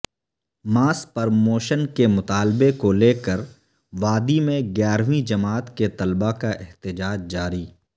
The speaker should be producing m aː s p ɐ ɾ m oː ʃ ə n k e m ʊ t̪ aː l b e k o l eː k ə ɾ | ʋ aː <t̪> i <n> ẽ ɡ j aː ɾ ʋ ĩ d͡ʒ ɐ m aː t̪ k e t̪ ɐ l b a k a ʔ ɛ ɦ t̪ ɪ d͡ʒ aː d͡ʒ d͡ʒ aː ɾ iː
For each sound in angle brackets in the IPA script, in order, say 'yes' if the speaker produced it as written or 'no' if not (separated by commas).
no, no